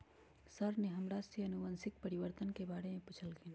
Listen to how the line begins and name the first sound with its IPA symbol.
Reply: s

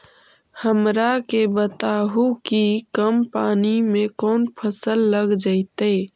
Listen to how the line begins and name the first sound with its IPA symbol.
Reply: h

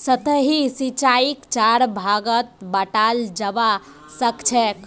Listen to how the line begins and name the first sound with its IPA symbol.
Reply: s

